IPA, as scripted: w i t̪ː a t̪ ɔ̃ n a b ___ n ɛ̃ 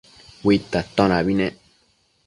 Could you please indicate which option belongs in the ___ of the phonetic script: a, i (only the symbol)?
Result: i